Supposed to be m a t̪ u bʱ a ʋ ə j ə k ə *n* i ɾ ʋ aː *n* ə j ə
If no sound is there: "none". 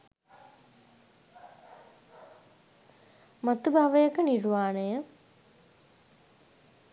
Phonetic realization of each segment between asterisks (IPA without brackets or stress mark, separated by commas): n, n